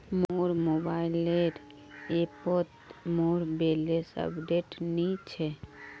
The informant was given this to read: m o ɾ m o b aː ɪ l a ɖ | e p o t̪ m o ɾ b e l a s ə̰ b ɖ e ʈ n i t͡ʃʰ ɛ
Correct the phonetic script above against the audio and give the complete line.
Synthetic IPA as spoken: m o ɾ m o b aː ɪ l e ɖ | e p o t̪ m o ɾ b e l e s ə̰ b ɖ e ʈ n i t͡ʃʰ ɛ